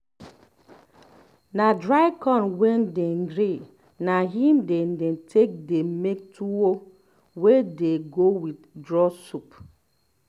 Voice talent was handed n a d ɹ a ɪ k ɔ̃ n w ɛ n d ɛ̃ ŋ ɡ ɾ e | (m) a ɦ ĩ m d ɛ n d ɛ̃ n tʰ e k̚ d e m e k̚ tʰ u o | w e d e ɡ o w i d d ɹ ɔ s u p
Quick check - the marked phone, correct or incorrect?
incorrect